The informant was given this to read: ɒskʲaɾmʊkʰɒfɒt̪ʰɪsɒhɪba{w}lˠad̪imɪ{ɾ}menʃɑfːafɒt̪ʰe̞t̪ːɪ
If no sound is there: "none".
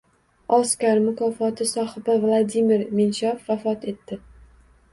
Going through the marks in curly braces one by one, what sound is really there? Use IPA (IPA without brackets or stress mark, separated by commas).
v, ɾ